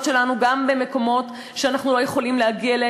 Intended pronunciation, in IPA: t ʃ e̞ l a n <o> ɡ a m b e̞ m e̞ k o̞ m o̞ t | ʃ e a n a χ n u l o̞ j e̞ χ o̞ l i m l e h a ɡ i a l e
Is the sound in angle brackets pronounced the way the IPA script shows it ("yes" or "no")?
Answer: no